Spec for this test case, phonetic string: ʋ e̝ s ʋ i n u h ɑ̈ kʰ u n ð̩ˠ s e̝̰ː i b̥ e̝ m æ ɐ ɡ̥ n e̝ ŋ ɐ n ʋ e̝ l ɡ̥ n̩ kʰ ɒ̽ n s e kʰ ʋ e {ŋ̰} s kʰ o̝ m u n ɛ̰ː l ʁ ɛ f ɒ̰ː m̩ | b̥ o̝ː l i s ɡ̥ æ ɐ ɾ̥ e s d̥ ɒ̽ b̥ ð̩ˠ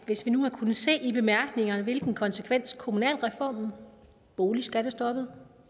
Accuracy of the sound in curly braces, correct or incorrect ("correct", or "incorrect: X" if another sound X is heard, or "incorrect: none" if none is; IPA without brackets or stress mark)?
incorrect: n̰